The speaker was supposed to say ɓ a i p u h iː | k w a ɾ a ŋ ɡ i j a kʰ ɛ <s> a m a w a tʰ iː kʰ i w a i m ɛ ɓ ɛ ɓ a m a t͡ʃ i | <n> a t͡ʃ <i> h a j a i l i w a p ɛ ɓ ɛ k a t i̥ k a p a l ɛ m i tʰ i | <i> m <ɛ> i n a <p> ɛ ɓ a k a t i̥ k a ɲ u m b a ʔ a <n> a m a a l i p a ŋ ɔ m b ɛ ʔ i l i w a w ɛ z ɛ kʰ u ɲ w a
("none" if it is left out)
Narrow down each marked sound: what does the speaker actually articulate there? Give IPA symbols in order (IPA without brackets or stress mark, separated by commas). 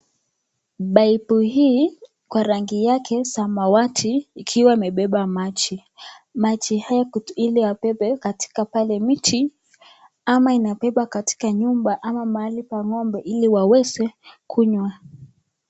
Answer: s, m, i, a, a, p, m